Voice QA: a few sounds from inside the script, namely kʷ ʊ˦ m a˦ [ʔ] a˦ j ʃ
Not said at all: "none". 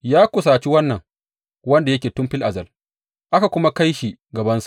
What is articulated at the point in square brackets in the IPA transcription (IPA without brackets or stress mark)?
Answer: k